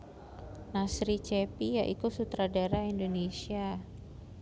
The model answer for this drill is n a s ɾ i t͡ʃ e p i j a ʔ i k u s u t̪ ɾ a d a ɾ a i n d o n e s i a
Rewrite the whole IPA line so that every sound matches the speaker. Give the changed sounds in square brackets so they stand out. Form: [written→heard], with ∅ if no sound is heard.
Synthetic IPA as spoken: n a s ɾ i t͡ʃ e p i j a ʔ i k u s u t̪ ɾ a d a ɾ a i n d o n e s i a